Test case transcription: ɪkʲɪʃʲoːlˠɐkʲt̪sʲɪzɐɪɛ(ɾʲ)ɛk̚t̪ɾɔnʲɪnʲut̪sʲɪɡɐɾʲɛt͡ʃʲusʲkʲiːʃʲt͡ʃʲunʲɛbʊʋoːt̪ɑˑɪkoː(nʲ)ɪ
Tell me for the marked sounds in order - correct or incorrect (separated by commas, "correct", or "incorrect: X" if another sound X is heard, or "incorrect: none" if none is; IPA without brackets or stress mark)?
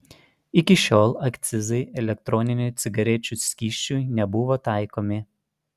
incorrect: lʲ, incorrect: mʲ